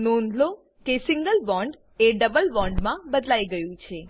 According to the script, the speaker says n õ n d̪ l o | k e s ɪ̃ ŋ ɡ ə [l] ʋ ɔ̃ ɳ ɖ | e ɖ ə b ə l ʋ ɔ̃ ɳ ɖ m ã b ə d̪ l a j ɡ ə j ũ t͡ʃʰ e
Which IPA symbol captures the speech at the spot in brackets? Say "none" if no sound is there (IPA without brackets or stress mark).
l